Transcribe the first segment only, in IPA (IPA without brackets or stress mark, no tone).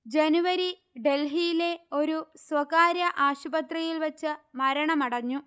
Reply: d͡ʑ